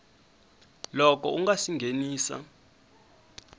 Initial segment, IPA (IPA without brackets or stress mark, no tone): l